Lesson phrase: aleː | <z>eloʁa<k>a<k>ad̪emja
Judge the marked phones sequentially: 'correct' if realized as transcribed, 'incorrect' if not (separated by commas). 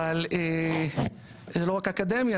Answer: correct, correct, correct